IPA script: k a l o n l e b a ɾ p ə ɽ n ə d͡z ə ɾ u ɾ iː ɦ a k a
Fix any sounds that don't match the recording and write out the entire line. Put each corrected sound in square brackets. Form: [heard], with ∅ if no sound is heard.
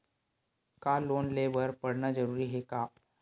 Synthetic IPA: k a l o n l e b [ə] ɾ p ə ɽ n [a] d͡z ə ɾ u ɾ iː ɦ [e] k a